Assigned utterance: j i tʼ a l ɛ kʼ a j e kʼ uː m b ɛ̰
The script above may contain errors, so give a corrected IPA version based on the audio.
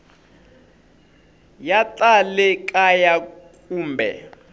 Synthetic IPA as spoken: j a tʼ a l ɛ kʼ a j a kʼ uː m b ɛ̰

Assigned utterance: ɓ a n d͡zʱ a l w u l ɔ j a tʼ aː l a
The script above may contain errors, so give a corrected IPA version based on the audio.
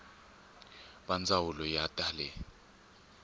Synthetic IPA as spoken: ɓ a n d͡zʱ a w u l ɔ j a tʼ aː l ɛ

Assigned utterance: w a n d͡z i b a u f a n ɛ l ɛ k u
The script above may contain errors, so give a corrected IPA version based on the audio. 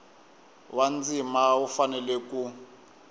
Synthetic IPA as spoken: w a n d͡z i m a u f a n ɛ l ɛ k u

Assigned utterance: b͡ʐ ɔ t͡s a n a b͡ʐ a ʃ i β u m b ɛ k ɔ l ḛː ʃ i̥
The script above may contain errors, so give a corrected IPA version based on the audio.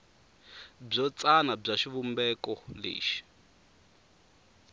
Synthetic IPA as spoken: b͡ʐ ɔ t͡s a n a b͡ʐ a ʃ i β u m b ɛ k ɔ l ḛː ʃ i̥

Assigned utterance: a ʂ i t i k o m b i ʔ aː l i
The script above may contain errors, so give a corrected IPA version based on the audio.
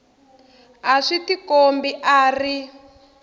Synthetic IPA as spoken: a ʂ i t i k o m b i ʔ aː r i

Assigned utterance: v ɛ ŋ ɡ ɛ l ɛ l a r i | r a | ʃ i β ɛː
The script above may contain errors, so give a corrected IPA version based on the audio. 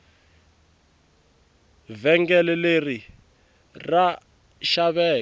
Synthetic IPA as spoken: v ɛ ŋ ɡ ɛ l ɛ l e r i | r a | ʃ a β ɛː

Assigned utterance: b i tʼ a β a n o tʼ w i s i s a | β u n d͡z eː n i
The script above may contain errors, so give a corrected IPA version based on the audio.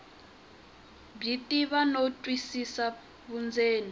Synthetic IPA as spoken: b i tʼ i β a n o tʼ w i s i s a | β u n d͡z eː n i

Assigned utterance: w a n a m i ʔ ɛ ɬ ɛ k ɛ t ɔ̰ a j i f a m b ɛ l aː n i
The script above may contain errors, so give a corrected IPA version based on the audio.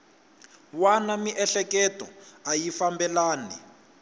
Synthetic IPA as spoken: w a n a m i ʔ ɛ ɬ ɛ k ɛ t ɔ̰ a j i f a m b ɛ l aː n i

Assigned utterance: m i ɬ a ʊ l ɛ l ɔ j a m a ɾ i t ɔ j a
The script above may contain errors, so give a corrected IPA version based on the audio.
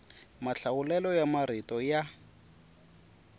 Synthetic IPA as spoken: m a ɬ a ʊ l ɛ l ɔ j a m a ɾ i t ɔ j a

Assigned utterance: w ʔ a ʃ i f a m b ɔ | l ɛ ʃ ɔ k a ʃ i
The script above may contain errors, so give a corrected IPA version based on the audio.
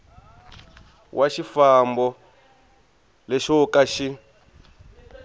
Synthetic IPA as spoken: w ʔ a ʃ i f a m b ɔ | l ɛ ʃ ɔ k a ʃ i

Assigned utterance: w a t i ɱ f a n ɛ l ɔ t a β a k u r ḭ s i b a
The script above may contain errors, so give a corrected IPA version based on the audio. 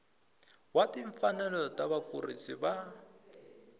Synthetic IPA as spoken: w a t i ɱ f a n ɛ l ɔ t a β a k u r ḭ s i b a

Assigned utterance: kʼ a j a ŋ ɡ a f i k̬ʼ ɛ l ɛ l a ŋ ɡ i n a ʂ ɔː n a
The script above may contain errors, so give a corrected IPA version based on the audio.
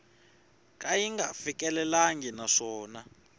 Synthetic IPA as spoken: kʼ a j i ŋ ɡ a f i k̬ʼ ɛ l ɛ l a ŋ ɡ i n a ʂ ɔː n a

